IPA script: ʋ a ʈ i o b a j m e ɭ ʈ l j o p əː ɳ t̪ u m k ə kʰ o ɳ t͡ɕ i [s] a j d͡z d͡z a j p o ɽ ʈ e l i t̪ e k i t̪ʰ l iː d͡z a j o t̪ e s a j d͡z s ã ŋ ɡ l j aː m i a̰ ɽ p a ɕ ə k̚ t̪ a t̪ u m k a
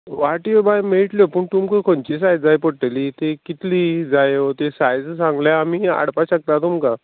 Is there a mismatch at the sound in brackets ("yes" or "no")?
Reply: no